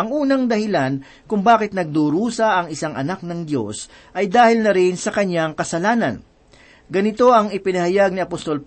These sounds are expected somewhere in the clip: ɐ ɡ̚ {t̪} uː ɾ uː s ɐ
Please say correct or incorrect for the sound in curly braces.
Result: incorrect